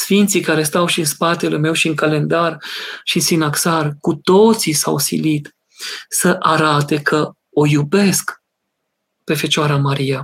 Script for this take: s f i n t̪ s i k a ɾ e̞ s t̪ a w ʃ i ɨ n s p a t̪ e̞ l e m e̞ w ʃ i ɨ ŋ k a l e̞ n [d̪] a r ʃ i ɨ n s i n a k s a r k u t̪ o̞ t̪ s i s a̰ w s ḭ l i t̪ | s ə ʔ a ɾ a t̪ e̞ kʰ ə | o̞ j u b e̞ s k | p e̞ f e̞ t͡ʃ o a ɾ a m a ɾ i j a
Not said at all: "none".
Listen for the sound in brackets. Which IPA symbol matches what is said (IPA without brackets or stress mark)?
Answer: d̪